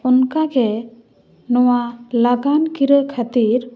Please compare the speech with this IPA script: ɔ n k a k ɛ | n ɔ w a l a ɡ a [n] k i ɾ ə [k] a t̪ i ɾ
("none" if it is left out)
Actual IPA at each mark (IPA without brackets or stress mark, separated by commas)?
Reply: n, kʰ